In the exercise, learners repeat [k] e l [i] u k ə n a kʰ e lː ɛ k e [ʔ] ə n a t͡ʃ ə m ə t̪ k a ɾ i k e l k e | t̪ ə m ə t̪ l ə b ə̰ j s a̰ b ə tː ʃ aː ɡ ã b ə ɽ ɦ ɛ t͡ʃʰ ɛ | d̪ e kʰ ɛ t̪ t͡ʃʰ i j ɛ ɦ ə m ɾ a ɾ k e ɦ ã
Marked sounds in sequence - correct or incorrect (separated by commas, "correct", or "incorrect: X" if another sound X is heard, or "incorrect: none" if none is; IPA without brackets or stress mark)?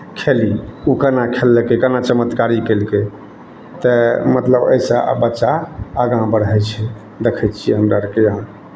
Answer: incorrect: kʰ, correct, incorrect: k